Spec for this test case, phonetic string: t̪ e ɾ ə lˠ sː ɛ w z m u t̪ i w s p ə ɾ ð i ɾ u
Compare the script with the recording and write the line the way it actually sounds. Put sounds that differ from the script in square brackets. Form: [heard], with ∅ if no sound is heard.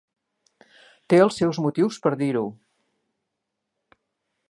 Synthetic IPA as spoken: t̪ e [∅] ə lˠ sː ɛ w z m u t̪ i w s p ə ɾ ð i ɾ u